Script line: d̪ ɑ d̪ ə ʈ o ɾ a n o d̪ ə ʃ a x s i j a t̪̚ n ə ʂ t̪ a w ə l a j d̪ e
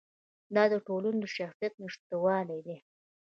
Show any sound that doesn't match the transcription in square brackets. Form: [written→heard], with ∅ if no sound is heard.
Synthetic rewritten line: d̪ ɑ d̪ ə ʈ o [ɾ→l] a n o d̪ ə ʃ a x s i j a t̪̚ n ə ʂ t̪ a w [ə→ɑ] l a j d̪ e